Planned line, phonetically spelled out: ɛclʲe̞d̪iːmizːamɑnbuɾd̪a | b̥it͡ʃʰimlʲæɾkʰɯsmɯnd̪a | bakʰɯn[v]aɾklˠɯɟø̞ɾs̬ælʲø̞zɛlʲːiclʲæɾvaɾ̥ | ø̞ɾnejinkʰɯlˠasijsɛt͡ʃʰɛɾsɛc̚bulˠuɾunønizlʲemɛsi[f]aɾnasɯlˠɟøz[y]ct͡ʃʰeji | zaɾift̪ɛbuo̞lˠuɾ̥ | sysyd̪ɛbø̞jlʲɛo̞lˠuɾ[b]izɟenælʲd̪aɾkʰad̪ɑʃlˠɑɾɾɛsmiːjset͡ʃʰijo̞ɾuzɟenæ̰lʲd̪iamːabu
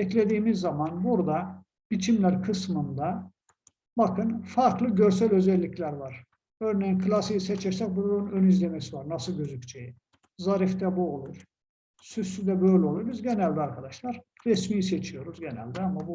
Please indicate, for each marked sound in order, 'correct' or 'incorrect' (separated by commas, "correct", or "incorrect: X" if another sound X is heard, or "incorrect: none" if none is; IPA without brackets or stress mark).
incorrect: f, incorrect: v, correct, correct